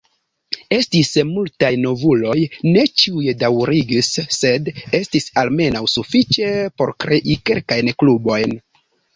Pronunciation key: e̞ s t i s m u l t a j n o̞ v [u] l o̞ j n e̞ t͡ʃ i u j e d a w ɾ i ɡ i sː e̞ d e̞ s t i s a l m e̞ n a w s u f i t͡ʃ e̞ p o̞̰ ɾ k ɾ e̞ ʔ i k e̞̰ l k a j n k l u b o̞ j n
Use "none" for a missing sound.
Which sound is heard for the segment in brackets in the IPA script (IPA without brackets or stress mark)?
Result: u